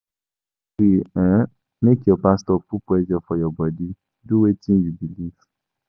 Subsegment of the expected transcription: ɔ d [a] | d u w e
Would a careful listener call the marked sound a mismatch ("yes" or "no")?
yes